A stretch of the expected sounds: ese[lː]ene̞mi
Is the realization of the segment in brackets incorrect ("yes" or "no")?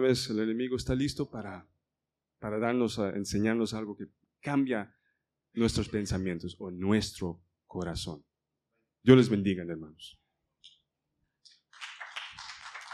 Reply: yes